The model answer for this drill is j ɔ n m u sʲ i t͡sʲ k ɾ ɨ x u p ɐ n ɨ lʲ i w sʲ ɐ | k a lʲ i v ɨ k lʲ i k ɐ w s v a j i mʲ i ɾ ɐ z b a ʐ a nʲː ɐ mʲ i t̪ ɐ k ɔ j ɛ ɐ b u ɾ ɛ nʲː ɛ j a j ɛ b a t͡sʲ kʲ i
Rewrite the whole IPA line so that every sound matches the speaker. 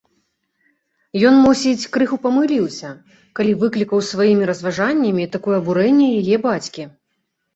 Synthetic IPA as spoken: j ɔ n m u sʲ i t͡sʲ k ɾ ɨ x u p ɐ m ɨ lʲ i w sʲ ɐ | k a lʲ i v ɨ k lʲ i k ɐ w s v a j i mʲ i ɾ ɐ z v a ʐ a nʲː ɐ mʲ i t̪ a k ɔ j ɛ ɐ b u ɾ ɛ nʲː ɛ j a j ɛ b a t͡sʲ kʲ i